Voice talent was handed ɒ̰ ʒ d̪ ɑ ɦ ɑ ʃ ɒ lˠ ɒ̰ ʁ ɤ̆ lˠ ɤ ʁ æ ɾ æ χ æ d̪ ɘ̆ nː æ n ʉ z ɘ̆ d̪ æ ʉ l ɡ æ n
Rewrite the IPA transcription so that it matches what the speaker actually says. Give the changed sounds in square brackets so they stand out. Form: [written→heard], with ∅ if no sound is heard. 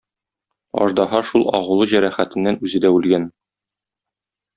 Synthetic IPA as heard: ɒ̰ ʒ d̪ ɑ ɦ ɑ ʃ [ɒ→u] lˠ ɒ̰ ʁ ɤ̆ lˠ ɤ [ʁ→ʑ] æ ɾ æ χ æ [d̪→t̪] ɘ̆ nː æ n ʉ z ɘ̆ d̪ æ ʉ l ɡ æ n